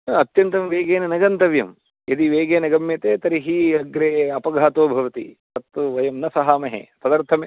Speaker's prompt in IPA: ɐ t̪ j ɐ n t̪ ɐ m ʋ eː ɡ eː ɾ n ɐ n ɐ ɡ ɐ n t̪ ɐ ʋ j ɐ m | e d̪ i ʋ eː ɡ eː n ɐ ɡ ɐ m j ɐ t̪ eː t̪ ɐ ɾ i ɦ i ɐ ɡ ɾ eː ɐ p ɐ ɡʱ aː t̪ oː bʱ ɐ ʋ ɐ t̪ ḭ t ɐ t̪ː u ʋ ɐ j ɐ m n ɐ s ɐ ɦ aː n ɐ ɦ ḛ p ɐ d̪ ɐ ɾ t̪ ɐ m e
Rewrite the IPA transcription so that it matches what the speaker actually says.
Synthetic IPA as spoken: ɐ t̪ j ɐ n t̪ ɐ m ʋ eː ɡ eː n ɐ n ɐ ɡ ɐ n t̪ ɐ ʋ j ɐ m | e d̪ i ʋ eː ɡ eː n ɐ ɡ ɐ m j ɐ t̪ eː t̪ ɐ ɾ i ɦ i ɐ ɡ ɾ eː ɐ p ɐ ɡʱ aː t̪ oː bʱ ɐ ʋ ɐ t̪ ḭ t ɐ t̪ː u ʋ ɐ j ɐ m n ɐ s ɐ ɦ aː m ɐ ɦ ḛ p ɐ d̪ ɐ ɾ t̪ʰ ɐ m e